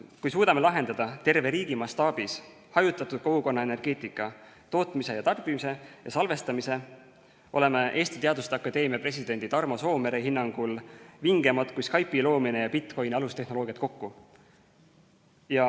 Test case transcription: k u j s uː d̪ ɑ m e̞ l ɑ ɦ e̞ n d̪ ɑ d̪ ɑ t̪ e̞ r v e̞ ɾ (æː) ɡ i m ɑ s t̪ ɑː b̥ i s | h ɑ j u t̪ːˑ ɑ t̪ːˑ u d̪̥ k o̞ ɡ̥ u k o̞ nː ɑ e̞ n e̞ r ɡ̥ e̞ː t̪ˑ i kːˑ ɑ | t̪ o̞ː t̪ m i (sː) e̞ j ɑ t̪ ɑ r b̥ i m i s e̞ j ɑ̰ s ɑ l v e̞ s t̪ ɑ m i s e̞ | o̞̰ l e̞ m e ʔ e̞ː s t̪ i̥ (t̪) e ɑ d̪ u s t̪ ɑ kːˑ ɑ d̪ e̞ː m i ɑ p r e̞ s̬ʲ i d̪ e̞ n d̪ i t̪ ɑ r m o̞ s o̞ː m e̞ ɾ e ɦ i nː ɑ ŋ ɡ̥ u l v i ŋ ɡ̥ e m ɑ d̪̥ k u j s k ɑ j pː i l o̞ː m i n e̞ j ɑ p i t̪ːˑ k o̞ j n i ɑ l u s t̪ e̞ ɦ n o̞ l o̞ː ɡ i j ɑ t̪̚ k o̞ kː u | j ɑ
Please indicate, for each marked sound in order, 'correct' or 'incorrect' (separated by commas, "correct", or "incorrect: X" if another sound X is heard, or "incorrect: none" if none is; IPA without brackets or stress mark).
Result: incorrect: iː, incorrect: s, correct